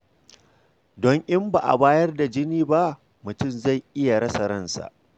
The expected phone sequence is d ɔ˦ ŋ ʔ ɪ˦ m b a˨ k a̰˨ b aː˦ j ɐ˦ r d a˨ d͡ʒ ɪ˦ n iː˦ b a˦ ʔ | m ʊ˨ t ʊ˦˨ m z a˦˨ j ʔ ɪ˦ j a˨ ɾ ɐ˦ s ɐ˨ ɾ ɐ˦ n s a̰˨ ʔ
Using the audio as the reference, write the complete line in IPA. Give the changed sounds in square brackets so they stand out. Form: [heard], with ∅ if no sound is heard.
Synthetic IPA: d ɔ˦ ŋ ʔ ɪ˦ m b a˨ [ʔ] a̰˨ b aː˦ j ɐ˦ r d a˨ d͡ʒ ɪ˦ n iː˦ b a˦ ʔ | m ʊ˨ t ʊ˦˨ m z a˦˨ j ʔ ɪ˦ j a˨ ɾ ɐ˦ s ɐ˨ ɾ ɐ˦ n s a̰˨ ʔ